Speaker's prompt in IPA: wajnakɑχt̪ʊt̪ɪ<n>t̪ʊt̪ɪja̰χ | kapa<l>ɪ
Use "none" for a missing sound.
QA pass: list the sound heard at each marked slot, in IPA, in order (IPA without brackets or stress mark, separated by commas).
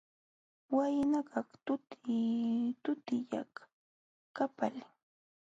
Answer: none, l